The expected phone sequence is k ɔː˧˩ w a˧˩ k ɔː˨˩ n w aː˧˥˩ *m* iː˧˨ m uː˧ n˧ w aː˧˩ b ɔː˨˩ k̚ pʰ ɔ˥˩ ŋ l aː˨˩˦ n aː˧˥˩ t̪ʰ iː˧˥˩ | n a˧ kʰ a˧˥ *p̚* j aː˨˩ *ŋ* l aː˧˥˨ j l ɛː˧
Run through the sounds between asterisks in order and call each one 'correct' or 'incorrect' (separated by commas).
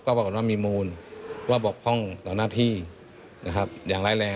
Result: correct, correct, correct